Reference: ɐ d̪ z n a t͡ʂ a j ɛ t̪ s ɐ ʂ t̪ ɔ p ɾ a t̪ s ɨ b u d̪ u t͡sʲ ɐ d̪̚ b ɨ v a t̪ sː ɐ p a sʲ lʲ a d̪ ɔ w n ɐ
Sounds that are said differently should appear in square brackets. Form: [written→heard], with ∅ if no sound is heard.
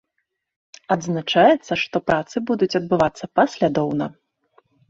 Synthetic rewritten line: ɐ d̪ z n a t͡ʂ a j ɛ t̪ [s→sː] ɐ ʂ t̪ ɔ p ɾ a t̪ s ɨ b u d̪ u t͡sʲ ɐ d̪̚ b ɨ v a t̪ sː ɐ p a sʲ lʲ a d̪ ɔ w n ɐ